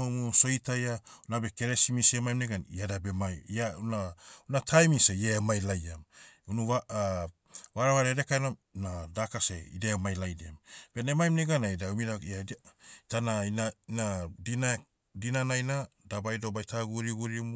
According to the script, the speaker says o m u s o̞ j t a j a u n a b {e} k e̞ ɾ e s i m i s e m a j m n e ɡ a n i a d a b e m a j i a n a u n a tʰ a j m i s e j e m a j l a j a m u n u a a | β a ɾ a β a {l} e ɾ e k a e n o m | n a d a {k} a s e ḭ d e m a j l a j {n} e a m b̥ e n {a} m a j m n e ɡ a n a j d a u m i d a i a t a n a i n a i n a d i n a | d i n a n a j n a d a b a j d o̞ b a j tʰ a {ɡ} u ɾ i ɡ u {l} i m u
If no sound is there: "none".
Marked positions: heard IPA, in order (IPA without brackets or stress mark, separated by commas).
e, ɾ, k, d, e, ɡ, ɾ